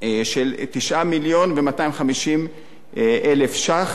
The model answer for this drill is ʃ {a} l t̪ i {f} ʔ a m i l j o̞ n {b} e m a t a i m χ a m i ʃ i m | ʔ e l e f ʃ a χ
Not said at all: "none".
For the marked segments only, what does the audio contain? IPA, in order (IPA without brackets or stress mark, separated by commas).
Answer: e, ʃ, v